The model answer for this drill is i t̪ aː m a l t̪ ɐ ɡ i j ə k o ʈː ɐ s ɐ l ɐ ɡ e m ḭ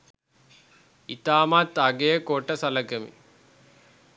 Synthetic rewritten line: i t̪ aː m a t̪ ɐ ɡ e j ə k o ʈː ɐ s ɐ l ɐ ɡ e m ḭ